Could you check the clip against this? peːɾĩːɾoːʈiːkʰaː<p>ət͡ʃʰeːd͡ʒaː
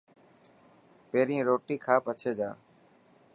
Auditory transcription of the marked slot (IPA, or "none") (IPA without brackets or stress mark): p